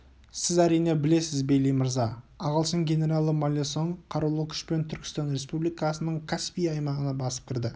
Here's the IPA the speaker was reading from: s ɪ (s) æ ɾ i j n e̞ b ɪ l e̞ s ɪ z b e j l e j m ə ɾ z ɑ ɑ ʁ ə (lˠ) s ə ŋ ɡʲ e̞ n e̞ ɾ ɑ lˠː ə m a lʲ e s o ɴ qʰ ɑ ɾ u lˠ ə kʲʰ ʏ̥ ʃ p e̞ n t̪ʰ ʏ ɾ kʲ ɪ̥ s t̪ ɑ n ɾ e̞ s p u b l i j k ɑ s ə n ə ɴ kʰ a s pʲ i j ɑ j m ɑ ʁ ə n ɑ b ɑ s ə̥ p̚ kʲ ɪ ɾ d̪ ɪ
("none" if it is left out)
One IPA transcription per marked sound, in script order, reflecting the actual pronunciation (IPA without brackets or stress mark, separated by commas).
z, lˠ